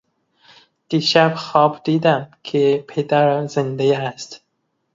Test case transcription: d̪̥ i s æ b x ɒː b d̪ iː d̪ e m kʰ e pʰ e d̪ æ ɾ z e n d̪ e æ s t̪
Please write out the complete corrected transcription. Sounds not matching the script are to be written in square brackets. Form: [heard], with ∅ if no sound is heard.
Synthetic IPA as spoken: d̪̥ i [ʃ] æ b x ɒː b d̪ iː d̪ [æ] m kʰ e pʰ e d̪ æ ɾ z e n d̪ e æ s t̪

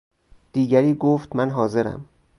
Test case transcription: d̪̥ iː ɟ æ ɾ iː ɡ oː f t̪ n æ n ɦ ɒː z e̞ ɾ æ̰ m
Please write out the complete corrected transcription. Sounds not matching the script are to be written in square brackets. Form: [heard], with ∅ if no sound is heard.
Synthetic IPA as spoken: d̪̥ iː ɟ æ ɾ iː ɡ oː f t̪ [m] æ n ɦ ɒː z e̞ ɾ æ̰ m

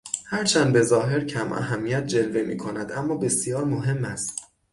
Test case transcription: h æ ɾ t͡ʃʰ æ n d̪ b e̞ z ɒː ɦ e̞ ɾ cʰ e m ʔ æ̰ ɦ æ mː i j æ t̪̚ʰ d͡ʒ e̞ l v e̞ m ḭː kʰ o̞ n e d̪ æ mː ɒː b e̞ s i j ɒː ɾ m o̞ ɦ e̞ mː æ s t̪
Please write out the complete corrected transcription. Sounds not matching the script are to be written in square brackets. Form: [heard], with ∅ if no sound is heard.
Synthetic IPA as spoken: h æ ɾ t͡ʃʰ æ n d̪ b e̞ z ɒː ɦ e̞ ɾ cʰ [æ] m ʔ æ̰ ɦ æ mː i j æ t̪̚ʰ d͡ʒ e̞ l v e̞ m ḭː kʰ o̞ n [æ] d̪ æ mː ɒː b e̞ s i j ɒː ɾ m o̞ ɦ e̞ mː æ s t̪

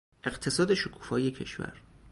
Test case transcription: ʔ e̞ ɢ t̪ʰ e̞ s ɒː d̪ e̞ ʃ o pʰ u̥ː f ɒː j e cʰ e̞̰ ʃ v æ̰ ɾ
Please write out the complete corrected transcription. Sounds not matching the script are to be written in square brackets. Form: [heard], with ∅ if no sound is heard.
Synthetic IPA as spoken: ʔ e̞ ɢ t̪ʰ e̞ s ɒː d̪ e̞ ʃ o [kʰ] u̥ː f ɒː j e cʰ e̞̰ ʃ v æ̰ ɾ

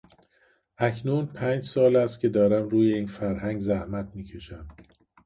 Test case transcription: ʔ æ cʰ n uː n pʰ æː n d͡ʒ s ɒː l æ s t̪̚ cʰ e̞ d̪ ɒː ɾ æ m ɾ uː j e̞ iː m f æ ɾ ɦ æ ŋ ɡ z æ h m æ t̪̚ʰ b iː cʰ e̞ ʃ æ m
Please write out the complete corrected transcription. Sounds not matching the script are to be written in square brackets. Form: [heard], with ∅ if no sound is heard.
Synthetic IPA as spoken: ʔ æ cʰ n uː n pʰ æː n d͡ʒ s ɒː l æ s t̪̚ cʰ e̞ d̪ ɒː ɾ æ m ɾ uː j e̞ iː [n] f æ ɾ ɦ æ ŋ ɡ z æ h m æ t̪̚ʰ [m] iː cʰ e̞ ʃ æ m

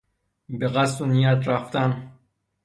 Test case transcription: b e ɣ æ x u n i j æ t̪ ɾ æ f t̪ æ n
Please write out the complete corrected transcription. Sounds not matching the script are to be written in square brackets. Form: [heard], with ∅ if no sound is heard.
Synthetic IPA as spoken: b e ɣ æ [s] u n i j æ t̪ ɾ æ f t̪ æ n

